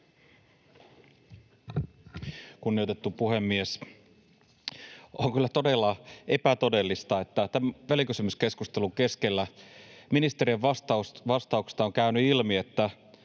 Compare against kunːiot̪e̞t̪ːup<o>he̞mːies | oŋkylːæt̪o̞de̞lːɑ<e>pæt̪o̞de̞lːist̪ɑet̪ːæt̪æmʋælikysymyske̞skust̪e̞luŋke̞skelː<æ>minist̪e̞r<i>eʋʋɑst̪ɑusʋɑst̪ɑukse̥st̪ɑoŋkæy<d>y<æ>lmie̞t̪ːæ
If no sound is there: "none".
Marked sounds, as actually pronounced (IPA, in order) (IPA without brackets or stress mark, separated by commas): u, e, æ, i, n, i